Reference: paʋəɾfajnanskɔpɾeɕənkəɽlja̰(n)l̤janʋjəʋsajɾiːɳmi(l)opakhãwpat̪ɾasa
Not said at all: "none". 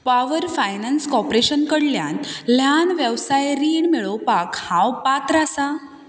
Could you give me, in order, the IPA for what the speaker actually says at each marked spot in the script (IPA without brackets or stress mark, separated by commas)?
n, ɭ